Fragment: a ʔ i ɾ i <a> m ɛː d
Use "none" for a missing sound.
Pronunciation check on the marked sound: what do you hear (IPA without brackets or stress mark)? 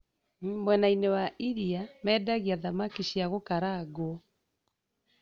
a